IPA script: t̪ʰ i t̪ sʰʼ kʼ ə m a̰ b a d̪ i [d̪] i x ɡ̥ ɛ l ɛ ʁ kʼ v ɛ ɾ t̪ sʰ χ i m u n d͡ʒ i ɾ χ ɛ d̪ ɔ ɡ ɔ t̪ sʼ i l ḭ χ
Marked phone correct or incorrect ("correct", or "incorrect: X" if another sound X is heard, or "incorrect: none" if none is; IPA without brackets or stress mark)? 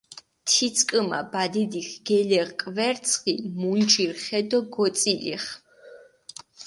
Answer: correct